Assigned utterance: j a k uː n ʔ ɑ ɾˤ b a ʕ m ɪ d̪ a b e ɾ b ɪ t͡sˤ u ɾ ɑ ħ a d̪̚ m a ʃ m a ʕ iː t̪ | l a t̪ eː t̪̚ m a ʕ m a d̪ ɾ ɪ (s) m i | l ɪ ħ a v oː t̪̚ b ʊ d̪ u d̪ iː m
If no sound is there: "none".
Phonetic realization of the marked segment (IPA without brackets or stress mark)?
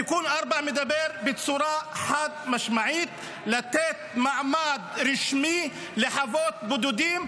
ʃ